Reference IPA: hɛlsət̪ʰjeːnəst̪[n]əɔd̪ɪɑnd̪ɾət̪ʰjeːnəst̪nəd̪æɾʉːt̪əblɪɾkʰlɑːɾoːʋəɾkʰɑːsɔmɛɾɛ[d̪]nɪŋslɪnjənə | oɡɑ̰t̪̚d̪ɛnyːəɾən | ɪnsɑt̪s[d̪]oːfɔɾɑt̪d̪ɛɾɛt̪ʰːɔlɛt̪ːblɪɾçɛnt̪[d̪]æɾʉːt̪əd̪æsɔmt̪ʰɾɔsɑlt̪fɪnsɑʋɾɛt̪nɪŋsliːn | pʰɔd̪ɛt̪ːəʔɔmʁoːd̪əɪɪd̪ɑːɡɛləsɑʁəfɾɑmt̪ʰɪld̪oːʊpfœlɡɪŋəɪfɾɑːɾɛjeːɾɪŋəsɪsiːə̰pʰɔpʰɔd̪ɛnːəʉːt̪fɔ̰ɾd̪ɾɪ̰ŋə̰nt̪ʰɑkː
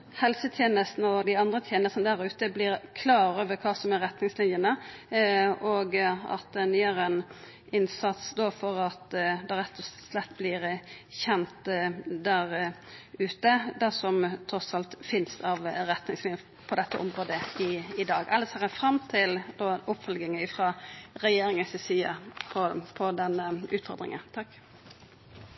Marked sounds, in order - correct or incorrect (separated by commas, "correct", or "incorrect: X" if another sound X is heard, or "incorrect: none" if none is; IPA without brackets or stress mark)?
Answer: correct, incorrect: t̪, correct, correct